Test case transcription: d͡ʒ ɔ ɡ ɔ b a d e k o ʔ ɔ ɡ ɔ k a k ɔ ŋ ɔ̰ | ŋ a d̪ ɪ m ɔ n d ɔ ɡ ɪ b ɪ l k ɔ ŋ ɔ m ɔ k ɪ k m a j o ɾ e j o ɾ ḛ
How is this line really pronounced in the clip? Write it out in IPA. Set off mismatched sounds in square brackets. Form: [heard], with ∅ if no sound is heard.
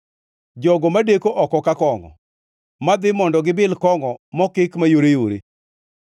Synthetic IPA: d͡ʒ ɔ ɡ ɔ [m] a d e k o ʔ ɔ [k] ɔ k a k ɔ ŋ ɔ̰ | [m] a d̪ ɪ m ɔ n d ɔ ɡ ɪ b ɪ l k ɔ ŋ ɔ m ɔ k ɪ k m a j o ɾ e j o ɾ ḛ